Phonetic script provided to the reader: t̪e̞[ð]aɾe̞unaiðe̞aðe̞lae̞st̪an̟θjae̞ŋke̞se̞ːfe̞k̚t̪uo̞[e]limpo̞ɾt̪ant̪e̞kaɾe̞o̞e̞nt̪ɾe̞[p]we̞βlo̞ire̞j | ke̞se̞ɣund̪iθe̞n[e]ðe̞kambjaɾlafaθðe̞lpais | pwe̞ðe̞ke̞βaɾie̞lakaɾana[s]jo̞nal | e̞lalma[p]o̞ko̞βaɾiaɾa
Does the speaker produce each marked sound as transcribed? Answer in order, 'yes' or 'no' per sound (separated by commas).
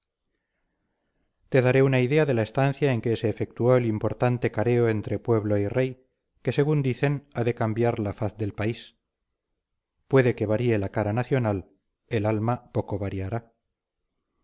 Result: yes, yes, yes, no, no, yes